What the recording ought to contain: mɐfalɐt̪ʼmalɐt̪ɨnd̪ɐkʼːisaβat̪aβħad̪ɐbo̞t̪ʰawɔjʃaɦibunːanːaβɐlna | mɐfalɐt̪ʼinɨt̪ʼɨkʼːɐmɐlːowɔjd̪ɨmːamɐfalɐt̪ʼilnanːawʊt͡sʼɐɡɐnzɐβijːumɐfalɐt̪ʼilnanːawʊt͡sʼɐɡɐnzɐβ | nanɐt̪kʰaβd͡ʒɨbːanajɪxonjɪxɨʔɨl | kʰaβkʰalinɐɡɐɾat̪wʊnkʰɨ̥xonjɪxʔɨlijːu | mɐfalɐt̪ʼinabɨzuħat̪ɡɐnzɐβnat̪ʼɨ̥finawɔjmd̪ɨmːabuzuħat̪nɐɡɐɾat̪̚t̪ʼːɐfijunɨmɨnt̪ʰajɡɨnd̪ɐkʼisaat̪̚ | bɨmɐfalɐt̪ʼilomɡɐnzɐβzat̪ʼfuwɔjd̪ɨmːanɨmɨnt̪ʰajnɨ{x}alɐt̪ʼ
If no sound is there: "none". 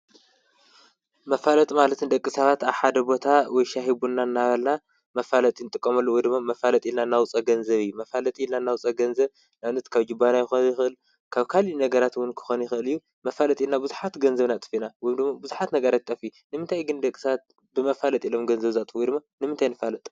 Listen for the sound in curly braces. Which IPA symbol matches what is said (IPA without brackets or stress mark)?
f